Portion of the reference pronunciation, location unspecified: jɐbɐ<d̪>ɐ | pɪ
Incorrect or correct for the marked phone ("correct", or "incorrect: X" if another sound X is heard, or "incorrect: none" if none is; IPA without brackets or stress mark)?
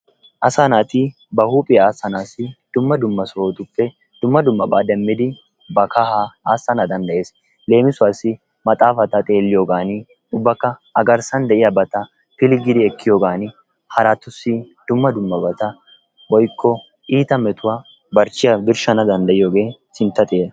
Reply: incorrect: t̪